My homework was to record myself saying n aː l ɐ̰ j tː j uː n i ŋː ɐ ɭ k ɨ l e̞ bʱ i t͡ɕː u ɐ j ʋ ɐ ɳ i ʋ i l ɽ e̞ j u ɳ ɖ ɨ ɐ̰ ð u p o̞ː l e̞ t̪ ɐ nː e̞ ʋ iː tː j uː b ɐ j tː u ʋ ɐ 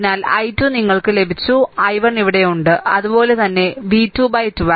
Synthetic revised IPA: n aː l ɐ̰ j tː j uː n i ŋː ɐ ɭ k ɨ l e̞ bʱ i t͡ɕː u ɐ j ʋ ɐ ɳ i ʋ i ɽ e̞ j u ɳ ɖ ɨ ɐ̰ ð u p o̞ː l e̞ t̪ ɐ nː e̞ ʋ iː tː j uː b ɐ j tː u ʋ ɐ